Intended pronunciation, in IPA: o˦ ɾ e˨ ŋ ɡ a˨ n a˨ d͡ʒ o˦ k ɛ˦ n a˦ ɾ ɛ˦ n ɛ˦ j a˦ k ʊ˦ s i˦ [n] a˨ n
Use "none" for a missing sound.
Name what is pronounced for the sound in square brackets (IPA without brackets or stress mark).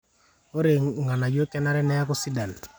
d